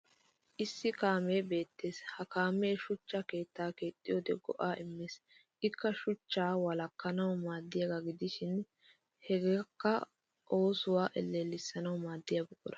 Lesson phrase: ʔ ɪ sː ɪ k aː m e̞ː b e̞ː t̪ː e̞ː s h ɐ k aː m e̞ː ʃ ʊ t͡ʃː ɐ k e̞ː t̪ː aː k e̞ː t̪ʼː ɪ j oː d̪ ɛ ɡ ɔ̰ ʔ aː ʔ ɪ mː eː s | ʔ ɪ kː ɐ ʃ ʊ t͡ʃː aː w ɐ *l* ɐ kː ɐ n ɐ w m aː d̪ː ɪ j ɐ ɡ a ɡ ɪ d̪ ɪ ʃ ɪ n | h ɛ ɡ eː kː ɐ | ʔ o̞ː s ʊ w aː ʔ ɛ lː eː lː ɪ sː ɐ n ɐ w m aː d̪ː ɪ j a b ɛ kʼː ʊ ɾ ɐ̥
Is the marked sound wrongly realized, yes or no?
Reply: no